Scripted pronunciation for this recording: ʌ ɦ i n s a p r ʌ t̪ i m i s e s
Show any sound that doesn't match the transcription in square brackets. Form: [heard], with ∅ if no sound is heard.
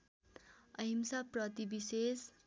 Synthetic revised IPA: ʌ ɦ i [m] s a p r ʌ t̪ i [b] i s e s